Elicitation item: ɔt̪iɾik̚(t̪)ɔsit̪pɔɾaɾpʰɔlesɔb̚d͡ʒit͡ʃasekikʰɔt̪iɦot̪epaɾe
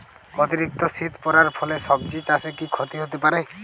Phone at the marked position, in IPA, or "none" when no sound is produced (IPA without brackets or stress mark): t̪